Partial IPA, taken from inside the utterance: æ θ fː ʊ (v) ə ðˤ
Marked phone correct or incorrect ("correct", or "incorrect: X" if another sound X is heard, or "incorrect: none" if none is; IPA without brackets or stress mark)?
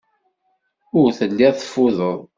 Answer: incorrect: ð